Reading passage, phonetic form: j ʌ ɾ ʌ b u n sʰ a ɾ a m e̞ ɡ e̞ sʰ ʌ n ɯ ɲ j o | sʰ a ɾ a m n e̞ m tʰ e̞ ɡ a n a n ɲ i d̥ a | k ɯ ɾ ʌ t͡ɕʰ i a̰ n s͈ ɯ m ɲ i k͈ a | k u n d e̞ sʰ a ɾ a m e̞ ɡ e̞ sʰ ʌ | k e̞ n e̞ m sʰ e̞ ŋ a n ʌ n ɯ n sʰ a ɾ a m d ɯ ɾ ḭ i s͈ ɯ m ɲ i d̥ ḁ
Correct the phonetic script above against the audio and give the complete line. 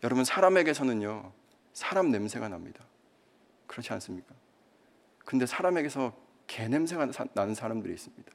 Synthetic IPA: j ʌ ɾ ʌ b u n sʰ a ɾ a m e̞ ɡ e̞ sʰ ʌ n ɯ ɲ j o | sʰ a ɾ a m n e̞ m sʰ e̞ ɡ a n a m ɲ i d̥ a | k ɯ ɾ ʌ t͡ɕʰ i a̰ n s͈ ɯ m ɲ i k͈ a | k ɯ n d e̞ sʰ a ɾ a m e̞ ɡ e̞ sʰ ʌ | k e̞ n e̞ m sʰ e̞ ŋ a n a n ɯ n sʰ a ɾ a m d ɯ ɾ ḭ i s͈ ɯ m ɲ i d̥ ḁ